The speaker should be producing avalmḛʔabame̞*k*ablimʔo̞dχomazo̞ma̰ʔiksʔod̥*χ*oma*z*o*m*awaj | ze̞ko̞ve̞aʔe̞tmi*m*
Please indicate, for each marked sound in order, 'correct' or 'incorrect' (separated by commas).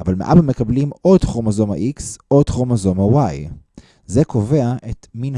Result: correct, correct, correct, correct, incorrect